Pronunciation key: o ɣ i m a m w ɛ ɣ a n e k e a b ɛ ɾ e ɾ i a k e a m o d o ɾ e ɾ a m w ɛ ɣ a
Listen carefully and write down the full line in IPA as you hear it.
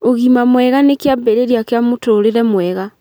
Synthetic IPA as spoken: o ɣ i m a m w ɛ ɣ a n e k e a b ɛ ɾ e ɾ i a k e a m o t o ɾ e ɾ ɛ m w ɛ ɣ a